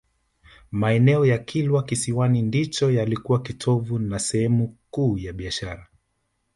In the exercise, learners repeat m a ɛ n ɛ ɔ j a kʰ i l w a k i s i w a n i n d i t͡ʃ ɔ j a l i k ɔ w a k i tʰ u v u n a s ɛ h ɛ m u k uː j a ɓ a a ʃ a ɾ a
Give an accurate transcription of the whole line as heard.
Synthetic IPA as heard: m a ɛ n ɛ ɔ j a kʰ i l w a k i s i w a n i n d i t͡ʃ ɔ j a l i k u w a k i tʰ ɔ v u n a s ɛ h ɛ m u k uː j a ɓ i a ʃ a ɾ a